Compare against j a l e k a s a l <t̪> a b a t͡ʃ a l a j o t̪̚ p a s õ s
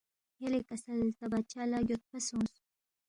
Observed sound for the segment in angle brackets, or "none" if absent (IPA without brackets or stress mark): t̪